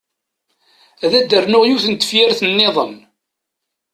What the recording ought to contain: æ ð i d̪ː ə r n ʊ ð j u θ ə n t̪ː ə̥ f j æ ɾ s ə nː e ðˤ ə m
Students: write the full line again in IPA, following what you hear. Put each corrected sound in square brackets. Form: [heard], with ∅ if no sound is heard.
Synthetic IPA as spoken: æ ð [æ] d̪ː ə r n ʊ [ʁ] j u θ ə n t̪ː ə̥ f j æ ɾ [θ] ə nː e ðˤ ə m